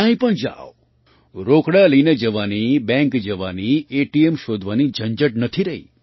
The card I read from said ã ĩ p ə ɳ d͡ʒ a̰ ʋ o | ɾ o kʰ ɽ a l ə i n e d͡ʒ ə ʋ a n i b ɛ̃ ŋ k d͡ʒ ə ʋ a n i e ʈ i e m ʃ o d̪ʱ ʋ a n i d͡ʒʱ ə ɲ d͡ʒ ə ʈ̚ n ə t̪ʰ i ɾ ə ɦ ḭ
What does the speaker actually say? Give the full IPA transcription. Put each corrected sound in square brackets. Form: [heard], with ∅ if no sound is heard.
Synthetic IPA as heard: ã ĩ p ə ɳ d͡ʒ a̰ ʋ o | ɾ o [k] ɽ a l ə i n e d͡ʒ ə ʋ a n i b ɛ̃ ŋ k d͡ʒ ə ʋ a n i e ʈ i e m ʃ o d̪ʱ ʋ a n i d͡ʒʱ ə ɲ d͡ʒ ə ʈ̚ n ə t̪ʰ i ɾ ə ɦ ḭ

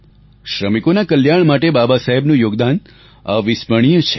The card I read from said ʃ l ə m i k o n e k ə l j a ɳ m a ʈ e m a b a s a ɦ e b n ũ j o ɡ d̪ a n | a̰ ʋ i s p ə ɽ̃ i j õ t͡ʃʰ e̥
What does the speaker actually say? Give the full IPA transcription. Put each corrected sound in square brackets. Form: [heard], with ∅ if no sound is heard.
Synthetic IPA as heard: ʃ [ɾ] ə m i k o n [a] k ə l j a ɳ m a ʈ e [b] a b a s a ɦ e b n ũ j o ɡ d̪ a n | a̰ ʋ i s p ə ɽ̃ i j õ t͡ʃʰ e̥

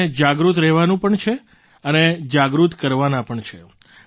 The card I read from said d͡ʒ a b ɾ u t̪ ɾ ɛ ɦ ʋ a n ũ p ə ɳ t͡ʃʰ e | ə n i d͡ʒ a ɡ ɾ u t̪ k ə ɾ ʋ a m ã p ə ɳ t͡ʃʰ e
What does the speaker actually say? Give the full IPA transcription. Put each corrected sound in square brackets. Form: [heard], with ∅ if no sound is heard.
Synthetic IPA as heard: d͡ʒ a [ɡ] ɾ u t̪ ɾ ɛ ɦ ʋ a n ũ p ə ɳ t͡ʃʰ e | ə n [e] d͡ʒ a ɡ ɾ u t̪ k ə ɾ ʋ a [n] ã p ə ɳ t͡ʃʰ e

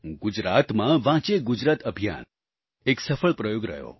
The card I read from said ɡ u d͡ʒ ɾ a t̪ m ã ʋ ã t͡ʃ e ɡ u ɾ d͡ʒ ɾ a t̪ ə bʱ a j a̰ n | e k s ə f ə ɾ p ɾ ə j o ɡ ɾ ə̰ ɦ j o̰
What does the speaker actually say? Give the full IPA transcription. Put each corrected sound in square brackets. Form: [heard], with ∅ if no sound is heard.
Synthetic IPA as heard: ɡ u d͡ʒ ɾ a t̪ m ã ʋ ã t͡ʃ e ɡ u [∅] d͡ʒ ɾ a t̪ ə bʱ [i] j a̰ n | e k s ə f ə [ɭ] p ɾ ə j o ɡ ɾ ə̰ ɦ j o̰

